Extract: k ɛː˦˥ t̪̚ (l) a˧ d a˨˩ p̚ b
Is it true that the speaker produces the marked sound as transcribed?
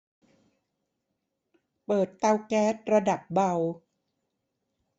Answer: no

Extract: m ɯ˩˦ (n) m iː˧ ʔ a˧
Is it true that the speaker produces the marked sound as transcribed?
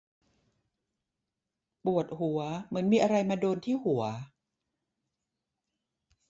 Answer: yes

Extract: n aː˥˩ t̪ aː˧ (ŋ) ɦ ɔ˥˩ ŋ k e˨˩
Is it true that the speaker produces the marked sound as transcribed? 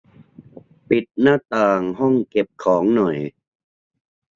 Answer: yes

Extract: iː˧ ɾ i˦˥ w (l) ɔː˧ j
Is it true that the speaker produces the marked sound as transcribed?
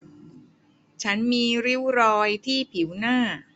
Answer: no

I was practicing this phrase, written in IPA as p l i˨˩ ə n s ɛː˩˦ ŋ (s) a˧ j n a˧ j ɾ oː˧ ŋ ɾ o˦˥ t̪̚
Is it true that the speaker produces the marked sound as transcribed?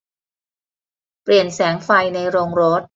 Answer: no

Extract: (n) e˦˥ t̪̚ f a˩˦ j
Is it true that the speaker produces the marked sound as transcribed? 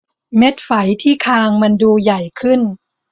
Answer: no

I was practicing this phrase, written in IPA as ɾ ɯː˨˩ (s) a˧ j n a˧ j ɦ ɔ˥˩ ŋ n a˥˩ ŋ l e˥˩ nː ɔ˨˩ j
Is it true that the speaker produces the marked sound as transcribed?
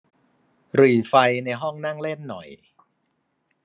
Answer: no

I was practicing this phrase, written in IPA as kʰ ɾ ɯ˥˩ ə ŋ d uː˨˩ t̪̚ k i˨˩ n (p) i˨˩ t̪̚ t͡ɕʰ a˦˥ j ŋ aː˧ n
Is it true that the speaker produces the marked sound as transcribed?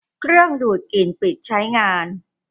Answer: yes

